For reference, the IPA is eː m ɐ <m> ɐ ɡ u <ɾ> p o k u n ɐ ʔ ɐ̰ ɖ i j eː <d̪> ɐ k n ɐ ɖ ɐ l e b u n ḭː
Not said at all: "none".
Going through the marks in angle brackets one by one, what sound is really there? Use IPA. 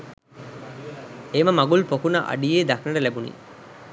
m, l, d̪

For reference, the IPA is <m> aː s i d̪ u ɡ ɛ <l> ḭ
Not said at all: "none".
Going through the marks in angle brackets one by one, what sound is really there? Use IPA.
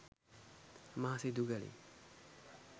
m, l

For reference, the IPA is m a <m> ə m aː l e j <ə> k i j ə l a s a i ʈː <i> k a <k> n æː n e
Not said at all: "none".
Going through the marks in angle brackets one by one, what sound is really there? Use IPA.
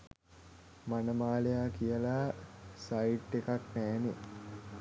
n, a, e, k

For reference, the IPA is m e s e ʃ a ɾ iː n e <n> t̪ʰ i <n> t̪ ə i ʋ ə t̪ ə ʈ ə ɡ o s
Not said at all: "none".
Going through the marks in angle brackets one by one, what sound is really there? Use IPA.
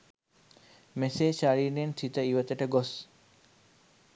n, none

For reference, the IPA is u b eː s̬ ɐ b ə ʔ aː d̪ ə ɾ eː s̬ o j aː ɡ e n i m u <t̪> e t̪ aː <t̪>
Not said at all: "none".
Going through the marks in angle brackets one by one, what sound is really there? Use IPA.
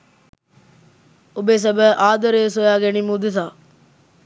d̪, none

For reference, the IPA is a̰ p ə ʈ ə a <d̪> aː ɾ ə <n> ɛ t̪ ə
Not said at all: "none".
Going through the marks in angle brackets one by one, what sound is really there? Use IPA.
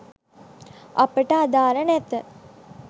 d̪, n

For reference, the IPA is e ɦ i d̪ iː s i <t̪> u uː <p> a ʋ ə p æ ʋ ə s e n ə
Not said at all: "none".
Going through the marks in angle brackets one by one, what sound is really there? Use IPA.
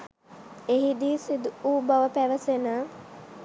d̪, b

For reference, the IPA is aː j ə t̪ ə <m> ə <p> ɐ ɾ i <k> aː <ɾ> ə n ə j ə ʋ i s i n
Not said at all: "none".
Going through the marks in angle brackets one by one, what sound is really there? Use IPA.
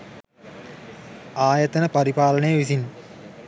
n, p, p, l

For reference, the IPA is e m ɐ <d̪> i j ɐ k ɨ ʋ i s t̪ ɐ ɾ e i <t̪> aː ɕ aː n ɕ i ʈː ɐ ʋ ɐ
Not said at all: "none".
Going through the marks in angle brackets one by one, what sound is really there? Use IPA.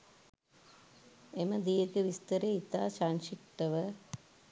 d̪, t̪

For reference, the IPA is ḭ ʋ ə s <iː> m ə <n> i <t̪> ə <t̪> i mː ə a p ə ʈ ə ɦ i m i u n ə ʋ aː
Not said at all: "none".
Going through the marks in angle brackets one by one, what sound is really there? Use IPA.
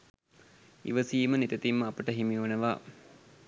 iː, n, t̪, t̪

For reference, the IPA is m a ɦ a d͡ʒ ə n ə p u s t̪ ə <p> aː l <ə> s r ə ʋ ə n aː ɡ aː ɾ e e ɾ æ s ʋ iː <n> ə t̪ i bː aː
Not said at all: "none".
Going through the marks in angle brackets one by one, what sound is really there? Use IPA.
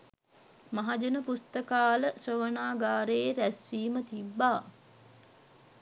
k, ə, m

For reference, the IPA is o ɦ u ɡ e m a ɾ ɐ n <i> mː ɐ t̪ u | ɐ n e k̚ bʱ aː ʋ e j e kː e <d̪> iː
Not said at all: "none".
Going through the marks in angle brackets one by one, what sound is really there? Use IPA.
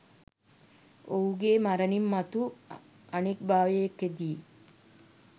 i, d̪

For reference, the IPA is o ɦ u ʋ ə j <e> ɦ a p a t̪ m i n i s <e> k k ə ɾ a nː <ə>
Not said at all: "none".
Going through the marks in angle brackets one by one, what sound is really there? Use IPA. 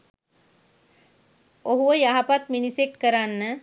a, e, ə

